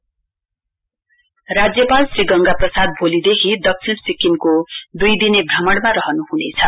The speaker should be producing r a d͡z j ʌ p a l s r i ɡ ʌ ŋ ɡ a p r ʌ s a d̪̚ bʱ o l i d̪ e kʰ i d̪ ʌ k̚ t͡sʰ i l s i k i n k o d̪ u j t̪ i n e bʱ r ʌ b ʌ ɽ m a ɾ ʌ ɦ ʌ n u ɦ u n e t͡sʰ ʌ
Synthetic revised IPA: r a d͡z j ʌ p a l s r i ɡ ʌ ŋ ɡ a p r ʌ s a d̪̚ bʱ o l i d̪ e kʰ i d̪ ʌ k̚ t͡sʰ i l s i k i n k o d̪ u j d̪ i n e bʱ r ʌ m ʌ ɽ m a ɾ ʌ ɦ ʌ n u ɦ u n e t͡sʰ ʌ